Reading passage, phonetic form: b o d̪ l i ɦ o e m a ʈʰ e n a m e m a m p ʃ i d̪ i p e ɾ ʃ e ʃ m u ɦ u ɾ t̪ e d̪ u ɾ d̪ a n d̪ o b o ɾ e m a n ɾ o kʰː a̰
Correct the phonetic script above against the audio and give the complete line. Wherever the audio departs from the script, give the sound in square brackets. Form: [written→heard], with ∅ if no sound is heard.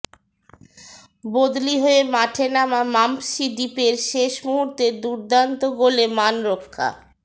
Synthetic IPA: b o d̪ l i ɦ o e m a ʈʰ e n a m [e→a] m a m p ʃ i d̪ i p e ɾ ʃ e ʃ m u ɦ u ɾ t̪ e d̪ u ɾ d̪ a n [d̪→t̪] o [b→ɡ] o [ɾ→l] e m a n ɾ o kʰː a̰